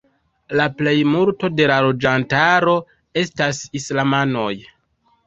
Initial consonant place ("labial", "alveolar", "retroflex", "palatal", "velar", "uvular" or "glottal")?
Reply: alveolar